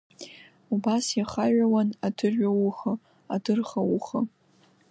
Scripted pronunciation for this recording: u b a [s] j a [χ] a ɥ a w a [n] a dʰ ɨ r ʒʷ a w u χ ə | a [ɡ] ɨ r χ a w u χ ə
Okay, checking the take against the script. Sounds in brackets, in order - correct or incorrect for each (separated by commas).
correct, correct, correct, incorrect